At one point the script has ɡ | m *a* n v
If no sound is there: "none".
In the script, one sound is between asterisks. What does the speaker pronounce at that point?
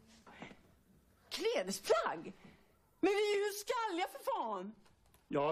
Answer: ɛ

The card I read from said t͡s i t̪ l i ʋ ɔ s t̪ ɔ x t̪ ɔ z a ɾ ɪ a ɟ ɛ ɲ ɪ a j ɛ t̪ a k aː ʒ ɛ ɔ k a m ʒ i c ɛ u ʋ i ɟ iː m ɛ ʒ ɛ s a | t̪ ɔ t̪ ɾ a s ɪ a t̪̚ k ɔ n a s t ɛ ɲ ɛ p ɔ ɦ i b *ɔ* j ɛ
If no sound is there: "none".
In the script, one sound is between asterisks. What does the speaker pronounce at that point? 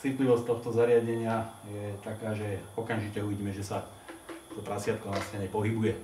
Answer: u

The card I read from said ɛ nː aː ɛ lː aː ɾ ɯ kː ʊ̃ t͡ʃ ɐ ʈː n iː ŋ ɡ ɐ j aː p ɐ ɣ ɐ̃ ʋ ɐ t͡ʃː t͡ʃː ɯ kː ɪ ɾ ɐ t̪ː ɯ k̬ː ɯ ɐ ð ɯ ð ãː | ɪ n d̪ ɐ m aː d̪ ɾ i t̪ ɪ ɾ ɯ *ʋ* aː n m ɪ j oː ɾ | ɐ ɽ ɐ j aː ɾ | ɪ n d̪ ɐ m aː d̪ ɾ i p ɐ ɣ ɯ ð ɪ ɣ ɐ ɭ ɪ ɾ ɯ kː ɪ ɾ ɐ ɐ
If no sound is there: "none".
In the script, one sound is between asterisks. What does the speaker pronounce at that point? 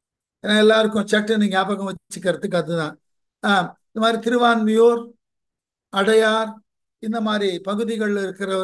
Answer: ʋ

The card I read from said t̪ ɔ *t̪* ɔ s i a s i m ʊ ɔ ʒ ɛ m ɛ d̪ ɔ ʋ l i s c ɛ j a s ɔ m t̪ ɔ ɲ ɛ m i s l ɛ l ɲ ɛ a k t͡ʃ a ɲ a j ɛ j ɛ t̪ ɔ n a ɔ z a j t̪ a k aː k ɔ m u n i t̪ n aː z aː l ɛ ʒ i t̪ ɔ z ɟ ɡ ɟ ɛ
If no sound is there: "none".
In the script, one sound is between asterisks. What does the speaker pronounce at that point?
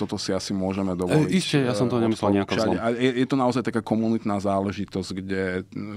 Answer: t̪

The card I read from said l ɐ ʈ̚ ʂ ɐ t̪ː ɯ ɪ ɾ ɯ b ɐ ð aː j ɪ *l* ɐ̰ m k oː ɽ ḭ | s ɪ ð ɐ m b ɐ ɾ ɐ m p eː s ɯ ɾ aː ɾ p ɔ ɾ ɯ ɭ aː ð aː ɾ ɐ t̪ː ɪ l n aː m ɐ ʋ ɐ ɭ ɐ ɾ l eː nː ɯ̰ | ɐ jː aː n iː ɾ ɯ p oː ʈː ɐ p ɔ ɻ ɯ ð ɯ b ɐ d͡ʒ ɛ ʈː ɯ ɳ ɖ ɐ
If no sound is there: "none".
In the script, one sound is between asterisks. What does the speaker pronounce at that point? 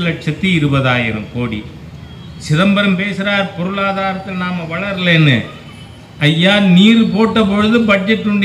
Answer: ɾ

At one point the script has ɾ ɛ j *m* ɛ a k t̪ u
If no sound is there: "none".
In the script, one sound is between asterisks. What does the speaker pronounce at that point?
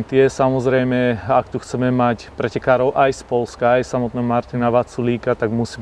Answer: m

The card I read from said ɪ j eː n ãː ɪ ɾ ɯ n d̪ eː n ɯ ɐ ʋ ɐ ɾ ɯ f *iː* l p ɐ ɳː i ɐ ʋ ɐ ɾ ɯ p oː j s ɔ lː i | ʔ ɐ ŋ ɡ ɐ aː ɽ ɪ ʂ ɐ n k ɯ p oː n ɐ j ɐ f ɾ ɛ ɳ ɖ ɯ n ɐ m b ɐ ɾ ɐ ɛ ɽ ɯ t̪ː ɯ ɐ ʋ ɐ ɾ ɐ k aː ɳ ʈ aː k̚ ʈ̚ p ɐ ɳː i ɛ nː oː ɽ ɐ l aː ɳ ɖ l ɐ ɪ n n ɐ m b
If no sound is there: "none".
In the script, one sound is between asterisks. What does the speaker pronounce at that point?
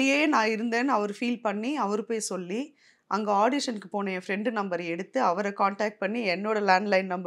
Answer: iː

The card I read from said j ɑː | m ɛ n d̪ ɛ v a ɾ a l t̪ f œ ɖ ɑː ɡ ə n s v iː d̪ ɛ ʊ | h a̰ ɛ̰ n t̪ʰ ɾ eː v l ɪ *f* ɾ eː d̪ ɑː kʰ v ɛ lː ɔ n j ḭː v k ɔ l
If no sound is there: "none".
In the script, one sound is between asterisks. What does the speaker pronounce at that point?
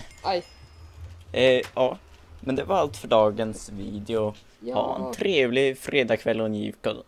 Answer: f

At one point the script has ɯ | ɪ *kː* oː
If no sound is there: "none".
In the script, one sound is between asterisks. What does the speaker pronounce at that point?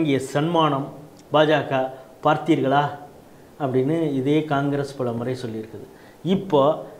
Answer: pː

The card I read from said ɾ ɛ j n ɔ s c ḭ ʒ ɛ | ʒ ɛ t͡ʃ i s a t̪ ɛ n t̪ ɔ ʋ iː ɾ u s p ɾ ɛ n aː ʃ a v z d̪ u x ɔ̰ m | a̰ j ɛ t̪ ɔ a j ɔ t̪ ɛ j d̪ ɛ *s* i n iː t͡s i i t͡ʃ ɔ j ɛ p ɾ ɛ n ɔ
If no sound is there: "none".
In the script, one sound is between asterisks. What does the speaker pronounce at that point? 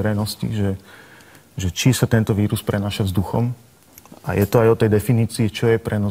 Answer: f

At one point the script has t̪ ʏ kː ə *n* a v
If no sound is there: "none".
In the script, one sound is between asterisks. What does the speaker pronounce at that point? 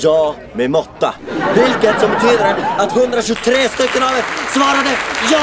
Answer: n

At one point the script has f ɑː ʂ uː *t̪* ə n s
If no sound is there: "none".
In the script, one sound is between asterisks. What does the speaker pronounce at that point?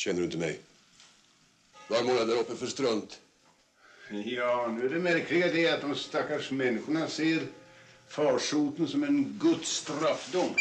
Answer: t̪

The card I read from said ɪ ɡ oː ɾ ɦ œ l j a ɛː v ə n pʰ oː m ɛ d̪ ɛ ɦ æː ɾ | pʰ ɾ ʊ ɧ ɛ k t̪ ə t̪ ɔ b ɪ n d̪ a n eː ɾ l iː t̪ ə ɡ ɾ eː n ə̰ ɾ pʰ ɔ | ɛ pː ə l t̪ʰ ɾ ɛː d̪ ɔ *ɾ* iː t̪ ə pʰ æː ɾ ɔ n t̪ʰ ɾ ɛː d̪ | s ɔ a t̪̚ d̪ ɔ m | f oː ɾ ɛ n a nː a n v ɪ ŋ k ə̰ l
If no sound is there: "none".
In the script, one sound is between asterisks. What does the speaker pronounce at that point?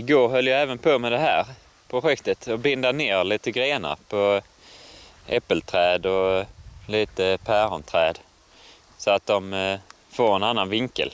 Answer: l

